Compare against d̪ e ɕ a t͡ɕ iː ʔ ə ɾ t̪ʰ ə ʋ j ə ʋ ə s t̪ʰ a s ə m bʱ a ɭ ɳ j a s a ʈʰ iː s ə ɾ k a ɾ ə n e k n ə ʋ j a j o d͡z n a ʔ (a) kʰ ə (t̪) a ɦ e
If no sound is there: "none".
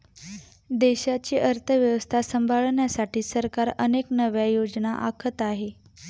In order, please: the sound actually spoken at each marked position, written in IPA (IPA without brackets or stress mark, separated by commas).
a, t̪